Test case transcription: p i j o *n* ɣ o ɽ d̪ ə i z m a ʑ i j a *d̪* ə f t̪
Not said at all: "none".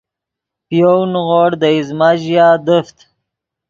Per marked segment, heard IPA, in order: n, d̪

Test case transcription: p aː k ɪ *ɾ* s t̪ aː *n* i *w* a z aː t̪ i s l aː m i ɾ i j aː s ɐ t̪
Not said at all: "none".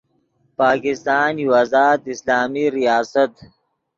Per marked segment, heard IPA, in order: none, n, w

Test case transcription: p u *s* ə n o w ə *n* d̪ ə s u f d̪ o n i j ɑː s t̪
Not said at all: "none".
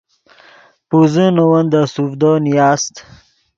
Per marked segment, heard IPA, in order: z, n

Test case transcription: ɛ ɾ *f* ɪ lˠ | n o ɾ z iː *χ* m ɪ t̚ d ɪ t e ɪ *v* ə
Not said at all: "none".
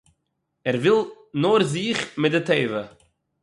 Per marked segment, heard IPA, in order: v, χ, v

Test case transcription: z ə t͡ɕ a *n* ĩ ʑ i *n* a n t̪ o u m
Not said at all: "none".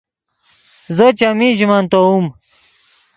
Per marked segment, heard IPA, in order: m, m

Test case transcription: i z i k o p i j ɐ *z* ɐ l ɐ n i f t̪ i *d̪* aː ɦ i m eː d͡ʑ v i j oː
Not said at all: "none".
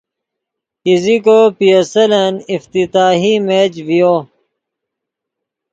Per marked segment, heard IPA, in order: s, t̪

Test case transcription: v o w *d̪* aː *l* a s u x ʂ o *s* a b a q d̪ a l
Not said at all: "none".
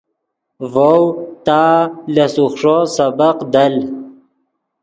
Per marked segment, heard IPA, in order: t̪, l, s

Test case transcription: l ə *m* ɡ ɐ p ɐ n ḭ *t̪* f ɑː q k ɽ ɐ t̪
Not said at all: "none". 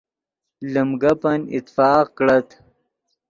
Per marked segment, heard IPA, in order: m, t̪

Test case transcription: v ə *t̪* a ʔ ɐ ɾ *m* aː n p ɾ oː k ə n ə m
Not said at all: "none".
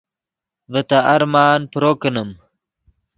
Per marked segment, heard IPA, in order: t̪, m

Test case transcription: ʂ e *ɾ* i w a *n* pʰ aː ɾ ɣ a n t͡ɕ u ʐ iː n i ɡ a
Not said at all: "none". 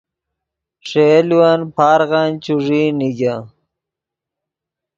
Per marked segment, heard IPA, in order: l, n

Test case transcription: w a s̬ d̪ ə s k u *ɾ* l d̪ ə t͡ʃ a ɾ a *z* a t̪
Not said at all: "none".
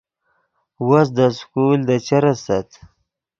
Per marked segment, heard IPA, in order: none, s

